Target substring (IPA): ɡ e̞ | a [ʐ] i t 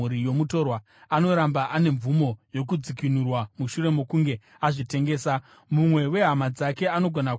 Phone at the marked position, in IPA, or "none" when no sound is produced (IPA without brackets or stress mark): ʐ